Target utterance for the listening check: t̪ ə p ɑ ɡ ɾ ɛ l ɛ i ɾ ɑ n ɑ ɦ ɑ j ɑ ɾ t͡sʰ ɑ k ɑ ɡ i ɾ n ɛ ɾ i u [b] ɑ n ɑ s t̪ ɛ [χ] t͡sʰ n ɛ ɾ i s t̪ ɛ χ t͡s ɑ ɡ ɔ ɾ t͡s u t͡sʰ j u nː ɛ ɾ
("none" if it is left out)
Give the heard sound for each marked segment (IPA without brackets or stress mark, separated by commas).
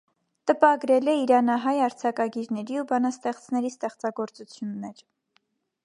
b, χ